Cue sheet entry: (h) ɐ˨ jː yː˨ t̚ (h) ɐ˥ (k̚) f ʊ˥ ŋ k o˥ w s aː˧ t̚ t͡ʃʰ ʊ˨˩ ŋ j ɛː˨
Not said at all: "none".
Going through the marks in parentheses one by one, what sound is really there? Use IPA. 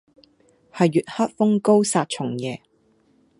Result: h, h, t̚

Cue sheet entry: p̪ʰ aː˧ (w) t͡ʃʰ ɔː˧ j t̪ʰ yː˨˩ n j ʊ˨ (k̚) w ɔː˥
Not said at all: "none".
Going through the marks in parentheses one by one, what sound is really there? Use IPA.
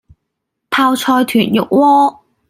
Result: w, k̚

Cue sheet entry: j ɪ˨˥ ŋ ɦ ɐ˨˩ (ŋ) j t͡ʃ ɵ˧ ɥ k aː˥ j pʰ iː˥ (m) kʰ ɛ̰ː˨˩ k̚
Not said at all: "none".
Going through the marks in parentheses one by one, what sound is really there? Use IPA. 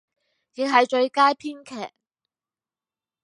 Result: none, n

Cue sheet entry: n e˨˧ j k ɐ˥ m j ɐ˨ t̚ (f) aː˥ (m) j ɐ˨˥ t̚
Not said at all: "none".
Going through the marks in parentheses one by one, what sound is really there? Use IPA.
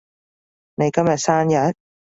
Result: s, n

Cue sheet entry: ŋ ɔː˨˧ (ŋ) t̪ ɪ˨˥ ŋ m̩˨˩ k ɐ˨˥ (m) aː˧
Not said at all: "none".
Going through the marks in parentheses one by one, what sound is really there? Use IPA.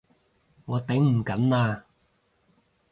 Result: none, n

